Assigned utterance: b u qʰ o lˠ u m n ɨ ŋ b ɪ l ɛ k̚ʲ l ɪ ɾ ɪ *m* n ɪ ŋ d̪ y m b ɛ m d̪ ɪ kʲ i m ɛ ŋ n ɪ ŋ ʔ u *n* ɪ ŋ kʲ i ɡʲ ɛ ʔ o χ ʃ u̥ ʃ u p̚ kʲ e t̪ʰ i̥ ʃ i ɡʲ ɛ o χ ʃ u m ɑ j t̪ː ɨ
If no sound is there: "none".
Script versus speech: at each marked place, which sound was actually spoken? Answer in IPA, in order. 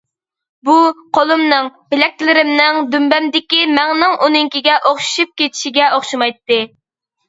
m, n

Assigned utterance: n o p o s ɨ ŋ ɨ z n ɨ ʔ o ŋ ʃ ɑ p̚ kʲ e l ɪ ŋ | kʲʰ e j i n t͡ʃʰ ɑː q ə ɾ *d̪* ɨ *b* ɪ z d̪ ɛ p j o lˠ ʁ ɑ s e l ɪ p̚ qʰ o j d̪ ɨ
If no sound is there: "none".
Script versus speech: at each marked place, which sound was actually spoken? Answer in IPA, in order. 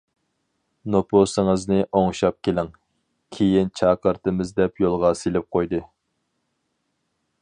t̪, m

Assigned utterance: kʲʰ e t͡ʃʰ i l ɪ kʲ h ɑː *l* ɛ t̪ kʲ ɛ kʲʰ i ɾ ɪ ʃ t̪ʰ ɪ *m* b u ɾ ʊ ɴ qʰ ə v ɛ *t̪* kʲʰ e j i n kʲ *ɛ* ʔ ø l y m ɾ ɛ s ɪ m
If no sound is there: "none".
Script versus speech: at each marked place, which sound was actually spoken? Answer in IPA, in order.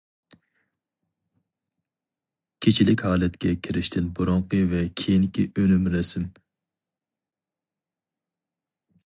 l, n, none, i

